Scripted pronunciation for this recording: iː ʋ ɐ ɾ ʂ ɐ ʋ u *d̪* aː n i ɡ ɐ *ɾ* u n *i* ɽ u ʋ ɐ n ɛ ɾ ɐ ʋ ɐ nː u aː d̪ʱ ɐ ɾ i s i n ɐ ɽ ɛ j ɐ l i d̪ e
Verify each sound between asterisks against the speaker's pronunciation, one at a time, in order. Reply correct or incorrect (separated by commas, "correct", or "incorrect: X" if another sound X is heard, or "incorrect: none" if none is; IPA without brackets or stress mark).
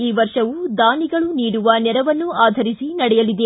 correct, incorrect: ɭ, incorrect: iː